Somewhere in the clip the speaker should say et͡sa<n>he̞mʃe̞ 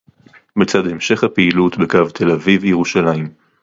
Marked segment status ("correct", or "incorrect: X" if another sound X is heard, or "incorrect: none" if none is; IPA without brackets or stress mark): incorrect: d